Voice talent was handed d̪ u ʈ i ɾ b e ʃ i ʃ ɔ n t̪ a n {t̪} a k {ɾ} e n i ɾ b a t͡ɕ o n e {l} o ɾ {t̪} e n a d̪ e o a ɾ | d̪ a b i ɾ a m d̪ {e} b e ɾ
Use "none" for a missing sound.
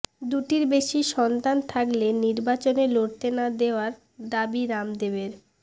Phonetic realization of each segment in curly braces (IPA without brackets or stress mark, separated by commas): t̪ʰ, l, l, t̪, e